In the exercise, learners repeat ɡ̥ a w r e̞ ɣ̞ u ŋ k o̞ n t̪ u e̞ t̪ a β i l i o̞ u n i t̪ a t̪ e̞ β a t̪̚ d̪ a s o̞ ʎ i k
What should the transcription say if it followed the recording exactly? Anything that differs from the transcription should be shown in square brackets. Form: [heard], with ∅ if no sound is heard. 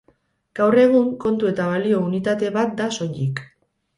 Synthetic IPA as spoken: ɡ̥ a w r e̞ ɣ̞ u ŋ k o̞ n t̪ u e̞ t̪ a β [a] l i o̞ u n i t̪ a t̪ e̞ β a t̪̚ d̪ a s o̞ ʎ i k